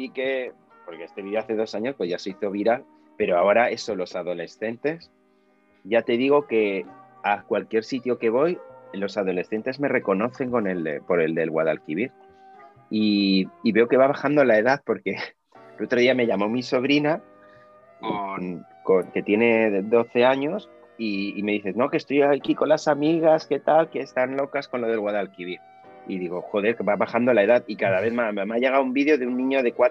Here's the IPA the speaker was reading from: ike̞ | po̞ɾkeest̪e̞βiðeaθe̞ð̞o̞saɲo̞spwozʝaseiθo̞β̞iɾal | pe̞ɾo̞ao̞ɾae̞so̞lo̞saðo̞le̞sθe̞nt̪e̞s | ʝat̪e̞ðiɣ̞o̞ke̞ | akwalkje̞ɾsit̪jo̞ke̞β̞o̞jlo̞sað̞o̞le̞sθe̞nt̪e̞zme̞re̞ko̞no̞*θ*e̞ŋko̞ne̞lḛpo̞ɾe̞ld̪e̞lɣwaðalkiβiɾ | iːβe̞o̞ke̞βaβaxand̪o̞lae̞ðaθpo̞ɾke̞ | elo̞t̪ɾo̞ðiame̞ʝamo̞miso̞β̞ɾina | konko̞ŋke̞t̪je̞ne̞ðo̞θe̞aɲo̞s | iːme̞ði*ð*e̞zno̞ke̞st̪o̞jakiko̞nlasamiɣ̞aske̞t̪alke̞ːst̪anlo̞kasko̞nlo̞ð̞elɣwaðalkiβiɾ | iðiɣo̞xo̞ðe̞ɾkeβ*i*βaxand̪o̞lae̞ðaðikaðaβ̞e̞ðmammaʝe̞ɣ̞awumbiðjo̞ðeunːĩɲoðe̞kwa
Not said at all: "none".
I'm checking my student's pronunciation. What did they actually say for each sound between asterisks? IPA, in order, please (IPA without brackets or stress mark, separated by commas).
θ, θ, a